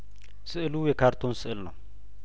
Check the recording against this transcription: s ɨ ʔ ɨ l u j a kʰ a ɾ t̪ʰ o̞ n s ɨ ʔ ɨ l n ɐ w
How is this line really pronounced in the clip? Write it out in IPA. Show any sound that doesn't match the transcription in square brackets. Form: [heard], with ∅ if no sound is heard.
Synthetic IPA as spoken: s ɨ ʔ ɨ l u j [ɛ] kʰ a ɾ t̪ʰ o̞ n s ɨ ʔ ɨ l n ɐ w